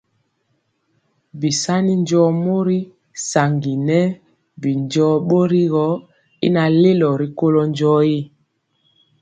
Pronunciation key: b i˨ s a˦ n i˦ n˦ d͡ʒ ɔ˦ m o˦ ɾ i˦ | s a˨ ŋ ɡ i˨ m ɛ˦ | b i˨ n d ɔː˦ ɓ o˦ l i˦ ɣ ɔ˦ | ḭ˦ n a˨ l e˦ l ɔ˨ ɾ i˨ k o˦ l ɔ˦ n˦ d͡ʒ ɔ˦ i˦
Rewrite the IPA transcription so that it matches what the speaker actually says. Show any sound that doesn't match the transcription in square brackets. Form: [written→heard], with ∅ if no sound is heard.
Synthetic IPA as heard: b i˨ s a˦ n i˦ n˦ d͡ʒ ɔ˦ m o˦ ɾ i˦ | s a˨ ŋ ɡ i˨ [m→n] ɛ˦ | b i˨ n [d→d͡ʒ] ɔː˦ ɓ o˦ [l→ɾ] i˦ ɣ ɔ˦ | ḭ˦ n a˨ l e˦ l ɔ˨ ɾ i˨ k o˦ l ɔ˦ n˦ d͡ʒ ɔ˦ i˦